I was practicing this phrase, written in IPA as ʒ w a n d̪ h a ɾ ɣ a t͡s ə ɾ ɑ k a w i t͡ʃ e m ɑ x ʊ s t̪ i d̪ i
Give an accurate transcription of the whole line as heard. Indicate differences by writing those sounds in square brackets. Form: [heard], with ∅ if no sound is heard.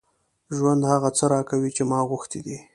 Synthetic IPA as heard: ʒ w a n d̪ h a [∅] ɣ a t͡s ə ɾ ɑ k a w i t͡ʃ e m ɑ [ɣ] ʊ [x] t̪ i d̪ i